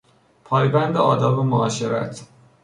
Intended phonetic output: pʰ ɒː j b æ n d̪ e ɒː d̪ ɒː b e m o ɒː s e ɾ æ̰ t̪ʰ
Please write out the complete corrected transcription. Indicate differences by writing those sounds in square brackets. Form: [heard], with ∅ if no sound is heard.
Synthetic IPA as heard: pʰ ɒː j b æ n d̪ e ɒː d̪ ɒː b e m o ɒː [ʃ] e ɾ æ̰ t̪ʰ